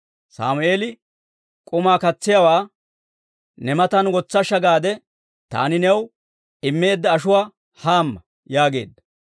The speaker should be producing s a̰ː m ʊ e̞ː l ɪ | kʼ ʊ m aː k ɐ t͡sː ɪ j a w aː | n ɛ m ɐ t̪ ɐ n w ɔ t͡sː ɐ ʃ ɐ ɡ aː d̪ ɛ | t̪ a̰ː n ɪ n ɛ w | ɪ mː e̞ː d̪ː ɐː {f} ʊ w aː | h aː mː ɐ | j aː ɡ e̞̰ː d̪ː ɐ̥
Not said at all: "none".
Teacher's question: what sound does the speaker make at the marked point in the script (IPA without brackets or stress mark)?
ʃ